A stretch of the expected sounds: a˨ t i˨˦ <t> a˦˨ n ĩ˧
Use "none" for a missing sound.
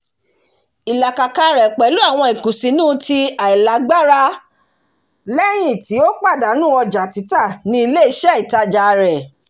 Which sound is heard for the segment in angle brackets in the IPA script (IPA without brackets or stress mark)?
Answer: t